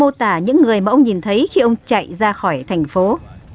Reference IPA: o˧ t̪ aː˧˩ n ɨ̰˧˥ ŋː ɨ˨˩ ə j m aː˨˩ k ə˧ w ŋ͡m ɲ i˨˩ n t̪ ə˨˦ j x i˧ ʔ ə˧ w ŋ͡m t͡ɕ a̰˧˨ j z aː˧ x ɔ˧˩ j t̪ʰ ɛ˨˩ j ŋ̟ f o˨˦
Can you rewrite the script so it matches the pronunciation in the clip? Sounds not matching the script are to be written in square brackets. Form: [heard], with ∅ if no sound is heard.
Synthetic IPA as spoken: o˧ t̪ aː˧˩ [ɲ] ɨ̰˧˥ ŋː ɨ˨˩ ə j m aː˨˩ [ʔ] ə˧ w ŋ͡m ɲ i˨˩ n [t̪ʰ] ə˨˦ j x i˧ ʔ ə˧ w ŋ͡m t͡ɕ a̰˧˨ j z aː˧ x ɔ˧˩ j t̪ʰ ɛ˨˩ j ŋ̟ f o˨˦